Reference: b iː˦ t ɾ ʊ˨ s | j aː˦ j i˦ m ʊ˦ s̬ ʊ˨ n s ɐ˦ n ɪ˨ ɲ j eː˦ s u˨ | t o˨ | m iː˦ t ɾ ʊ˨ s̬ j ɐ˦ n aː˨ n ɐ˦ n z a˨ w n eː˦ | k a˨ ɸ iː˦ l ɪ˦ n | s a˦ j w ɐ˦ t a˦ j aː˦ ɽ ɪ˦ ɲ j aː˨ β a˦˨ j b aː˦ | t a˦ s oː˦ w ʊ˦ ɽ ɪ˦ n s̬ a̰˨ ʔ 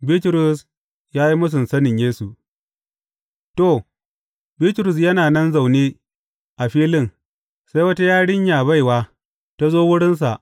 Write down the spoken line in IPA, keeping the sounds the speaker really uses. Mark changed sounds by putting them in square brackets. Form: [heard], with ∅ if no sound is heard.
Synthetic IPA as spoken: b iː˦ t ɾ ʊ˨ s | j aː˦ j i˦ m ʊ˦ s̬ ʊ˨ n s ɐ˦ n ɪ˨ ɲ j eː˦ s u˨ | t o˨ | [b] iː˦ t ɾ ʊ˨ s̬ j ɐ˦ n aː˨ n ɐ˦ n z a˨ w n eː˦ | [ʔ] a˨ ɸ iː˦ l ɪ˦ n | s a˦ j w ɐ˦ t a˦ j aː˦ ɽ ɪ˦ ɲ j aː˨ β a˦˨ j [w] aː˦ | t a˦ [z] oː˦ w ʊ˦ ɽ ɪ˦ n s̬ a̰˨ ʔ